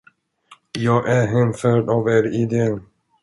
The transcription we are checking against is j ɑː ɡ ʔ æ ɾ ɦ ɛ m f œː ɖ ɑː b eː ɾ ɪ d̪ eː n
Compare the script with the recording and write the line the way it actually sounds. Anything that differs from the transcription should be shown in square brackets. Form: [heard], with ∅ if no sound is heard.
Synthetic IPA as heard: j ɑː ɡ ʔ æ ɾ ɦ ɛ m f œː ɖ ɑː [v] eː ɾ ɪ d̪ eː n